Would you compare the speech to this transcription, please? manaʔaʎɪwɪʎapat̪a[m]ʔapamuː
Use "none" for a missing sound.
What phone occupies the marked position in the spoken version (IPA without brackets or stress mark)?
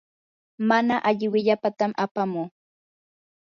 m